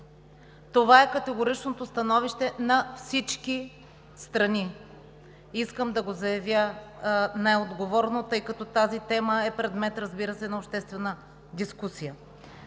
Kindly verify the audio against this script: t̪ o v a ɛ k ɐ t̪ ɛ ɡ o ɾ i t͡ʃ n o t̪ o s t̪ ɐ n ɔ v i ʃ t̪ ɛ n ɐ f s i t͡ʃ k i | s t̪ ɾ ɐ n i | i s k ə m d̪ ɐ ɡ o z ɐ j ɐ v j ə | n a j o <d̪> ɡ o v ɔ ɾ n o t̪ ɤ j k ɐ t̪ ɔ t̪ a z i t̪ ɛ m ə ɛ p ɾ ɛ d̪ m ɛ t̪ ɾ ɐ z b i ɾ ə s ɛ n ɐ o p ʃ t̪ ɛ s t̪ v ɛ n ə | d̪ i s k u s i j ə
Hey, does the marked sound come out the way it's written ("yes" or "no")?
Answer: yes